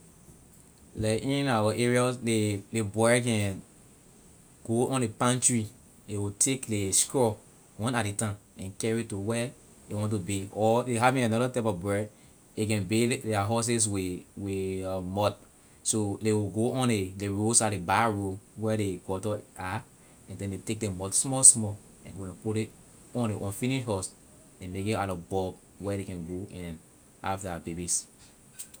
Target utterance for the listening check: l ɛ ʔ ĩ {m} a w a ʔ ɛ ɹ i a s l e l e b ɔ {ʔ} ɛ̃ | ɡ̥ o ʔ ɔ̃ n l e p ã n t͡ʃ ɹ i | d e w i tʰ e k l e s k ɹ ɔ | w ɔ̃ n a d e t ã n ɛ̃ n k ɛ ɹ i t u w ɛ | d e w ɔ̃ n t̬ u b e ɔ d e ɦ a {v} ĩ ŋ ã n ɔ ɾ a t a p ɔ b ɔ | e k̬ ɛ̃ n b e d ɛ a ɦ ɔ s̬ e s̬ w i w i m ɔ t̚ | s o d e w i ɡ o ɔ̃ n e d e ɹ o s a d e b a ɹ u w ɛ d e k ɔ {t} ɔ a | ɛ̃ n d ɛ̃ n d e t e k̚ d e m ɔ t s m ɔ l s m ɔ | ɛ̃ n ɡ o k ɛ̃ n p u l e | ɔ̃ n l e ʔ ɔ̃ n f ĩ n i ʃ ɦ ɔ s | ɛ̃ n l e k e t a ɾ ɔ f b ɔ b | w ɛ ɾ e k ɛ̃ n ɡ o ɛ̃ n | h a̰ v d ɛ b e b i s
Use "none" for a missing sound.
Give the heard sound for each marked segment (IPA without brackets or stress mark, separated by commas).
n, k, v, t